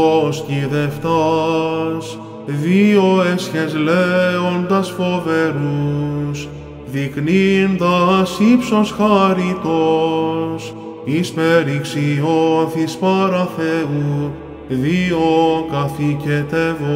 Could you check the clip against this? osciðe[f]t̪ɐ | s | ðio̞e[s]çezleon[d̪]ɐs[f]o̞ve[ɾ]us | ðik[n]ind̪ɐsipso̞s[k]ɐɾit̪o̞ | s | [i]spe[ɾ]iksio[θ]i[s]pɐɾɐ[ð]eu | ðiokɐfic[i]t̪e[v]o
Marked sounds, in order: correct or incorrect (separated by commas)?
correct, correct, correct, correct, correct, correct, incorrect, correct, correct, correct, correct, incorrect, incorrect, correct